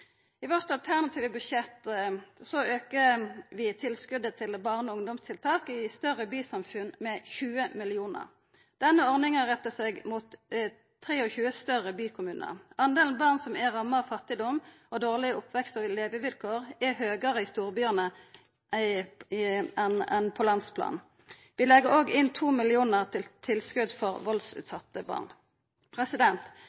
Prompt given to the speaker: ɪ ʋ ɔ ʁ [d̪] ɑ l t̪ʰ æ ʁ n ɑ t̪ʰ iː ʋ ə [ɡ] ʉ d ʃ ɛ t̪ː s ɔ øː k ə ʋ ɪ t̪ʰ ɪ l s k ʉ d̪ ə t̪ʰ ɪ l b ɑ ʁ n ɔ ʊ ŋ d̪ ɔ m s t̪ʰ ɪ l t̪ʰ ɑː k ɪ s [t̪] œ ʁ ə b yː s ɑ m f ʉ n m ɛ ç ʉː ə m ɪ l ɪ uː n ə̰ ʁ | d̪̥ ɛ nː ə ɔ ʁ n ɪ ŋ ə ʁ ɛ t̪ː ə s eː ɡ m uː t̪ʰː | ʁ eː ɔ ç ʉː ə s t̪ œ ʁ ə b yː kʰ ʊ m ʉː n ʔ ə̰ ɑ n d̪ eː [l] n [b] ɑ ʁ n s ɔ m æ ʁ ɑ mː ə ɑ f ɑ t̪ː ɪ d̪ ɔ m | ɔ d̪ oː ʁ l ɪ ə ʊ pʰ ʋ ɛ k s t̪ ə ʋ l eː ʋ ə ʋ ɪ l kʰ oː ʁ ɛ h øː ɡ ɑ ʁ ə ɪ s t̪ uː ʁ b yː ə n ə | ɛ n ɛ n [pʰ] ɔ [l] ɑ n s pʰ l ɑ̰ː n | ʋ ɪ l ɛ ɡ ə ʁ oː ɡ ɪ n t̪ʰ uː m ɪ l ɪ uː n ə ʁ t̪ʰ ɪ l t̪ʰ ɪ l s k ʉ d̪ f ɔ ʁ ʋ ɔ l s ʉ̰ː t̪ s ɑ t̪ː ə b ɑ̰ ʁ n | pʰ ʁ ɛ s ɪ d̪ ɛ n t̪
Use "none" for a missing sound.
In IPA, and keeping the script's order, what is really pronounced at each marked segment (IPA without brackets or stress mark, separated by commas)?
t̪, b, t̪, l, b, pʰ, l